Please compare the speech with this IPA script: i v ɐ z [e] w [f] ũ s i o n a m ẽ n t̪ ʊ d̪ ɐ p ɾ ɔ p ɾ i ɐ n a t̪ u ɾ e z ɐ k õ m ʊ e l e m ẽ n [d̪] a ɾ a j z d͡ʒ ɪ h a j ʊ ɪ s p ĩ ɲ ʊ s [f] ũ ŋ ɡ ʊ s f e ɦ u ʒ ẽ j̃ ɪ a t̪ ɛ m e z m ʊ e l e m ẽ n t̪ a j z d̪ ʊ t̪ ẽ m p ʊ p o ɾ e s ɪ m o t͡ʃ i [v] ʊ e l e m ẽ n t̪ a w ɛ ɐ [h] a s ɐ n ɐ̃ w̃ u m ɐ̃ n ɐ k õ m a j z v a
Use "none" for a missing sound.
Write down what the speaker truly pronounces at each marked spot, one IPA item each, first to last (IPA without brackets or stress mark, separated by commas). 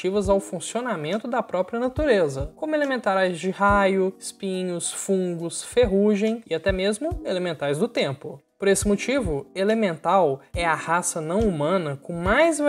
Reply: a, f, t̪, f, v, h